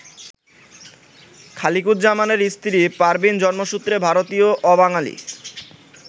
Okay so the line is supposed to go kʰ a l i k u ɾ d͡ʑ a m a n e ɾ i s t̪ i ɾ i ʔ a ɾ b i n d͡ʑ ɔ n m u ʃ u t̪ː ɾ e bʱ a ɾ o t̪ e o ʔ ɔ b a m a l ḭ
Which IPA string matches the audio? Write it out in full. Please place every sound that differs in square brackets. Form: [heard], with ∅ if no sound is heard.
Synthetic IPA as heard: kʰ a l i k u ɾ d͡ʑ a m a n e ɾ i s t̪ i ɾ i [p] a ɾ b i n d͡ʑ ɔ n m [o] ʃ u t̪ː ɾ e bʱ a ɾ o t̪ [i] o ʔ ɔ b a [ŋ] a l ḭ